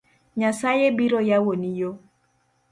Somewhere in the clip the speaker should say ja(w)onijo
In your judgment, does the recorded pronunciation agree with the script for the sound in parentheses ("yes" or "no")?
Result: yes